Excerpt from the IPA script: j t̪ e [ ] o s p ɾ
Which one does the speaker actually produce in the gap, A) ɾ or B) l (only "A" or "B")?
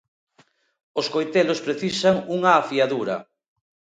B